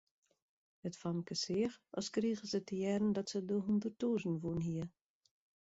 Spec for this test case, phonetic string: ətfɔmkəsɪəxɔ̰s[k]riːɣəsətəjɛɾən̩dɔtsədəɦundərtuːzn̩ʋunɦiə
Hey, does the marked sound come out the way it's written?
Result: yes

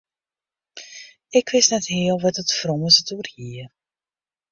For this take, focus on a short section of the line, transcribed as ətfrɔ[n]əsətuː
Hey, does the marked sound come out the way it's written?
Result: no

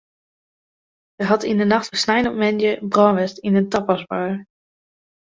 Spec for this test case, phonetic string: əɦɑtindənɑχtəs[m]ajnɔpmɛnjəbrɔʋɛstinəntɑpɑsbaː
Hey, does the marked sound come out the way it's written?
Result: no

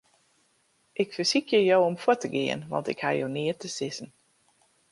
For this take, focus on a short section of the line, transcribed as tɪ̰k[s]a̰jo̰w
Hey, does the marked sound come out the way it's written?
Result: no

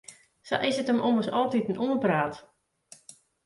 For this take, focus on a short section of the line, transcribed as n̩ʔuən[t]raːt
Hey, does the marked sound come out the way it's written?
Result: no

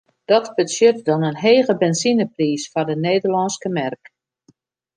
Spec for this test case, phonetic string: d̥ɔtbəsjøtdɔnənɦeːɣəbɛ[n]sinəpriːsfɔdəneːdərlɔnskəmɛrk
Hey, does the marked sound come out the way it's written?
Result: yes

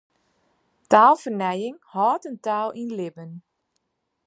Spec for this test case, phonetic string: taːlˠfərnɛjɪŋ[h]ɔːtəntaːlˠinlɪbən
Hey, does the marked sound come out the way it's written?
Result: yes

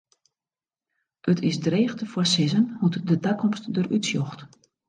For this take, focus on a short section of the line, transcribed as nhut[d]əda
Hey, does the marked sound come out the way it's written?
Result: yes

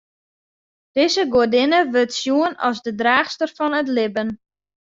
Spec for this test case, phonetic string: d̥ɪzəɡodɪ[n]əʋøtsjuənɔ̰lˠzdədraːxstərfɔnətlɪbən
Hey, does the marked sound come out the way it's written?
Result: yes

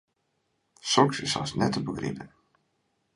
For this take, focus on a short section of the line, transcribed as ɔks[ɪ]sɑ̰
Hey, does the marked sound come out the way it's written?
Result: yes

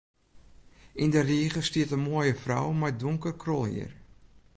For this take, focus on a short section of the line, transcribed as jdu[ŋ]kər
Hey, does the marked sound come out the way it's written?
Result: yes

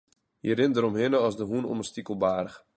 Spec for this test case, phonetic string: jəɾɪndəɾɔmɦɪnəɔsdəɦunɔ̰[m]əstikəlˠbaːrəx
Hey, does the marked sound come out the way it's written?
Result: yes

